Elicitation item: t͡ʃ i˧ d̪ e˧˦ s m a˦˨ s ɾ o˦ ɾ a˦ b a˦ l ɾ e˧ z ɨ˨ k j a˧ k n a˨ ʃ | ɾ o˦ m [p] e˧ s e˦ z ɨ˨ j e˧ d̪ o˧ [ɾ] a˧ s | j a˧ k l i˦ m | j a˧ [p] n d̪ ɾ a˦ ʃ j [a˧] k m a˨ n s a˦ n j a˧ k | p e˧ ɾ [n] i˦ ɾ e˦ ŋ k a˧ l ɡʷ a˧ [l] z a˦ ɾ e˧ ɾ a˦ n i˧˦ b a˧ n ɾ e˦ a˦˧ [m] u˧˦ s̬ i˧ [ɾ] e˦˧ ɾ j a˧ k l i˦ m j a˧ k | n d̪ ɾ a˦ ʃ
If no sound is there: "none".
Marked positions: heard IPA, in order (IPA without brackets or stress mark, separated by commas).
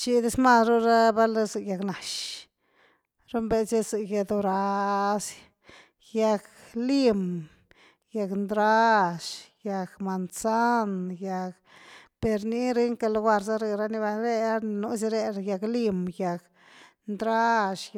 b, ɾ, k, a˧, n, ɾ, n, ɾ